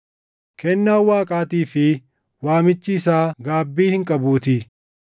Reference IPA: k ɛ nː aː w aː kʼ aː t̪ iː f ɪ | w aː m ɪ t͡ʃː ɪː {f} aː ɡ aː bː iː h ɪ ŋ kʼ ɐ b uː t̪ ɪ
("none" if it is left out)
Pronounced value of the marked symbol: s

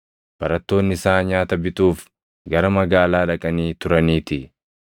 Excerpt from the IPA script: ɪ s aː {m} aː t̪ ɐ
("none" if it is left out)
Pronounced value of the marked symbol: ɲ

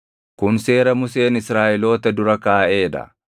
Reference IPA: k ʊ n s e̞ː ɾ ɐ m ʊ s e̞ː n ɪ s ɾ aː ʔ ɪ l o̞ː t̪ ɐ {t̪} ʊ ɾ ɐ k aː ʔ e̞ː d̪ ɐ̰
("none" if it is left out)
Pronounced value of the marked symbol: d̪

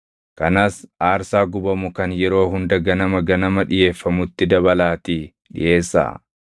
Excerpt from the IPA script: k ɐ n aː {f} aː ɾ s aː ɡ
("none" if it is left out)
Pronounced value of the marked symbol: s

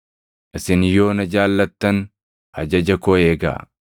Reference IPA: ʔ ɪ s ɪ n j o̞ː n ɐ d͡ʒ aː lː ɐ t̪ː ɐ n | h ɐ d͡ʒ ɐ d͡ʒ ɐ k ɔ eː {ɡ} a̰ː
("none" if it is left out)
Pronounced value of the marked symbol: ɡ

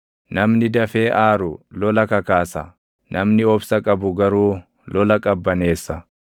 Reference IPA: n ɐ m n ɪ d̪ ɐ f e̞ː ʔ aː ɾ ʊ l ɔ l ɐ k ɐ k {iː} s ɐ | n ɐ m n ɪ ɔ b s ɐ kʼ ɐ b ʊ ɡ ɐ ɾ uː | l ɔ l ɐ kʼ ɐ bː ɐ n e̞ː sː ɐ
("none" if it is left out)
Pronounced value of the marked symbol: aː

